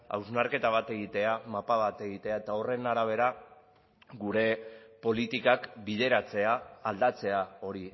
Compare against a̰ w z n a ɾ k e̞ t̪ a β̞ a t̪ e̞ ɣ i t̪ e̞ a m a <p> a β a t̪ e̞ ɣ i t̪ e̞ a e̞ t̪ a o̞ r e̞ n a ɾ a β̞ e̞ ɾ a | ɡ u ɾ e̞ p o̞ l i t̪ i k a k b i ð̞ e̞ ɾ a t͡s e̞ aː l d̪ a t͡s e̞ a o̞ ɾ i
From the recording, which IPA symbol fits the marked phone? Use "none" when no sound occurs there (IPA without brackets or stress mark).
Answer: p